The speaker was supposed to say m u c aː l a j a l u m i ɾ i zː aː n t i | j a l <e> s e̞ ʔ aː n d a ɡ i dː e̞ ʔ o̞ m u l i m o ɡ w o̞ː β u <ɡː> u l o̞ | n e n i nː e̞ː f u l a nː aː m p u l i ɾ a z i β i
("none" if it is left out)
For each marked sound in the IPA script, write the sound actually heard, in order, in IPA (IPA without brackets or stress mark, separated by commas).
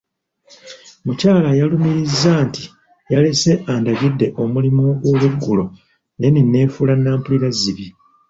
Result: e, ɡː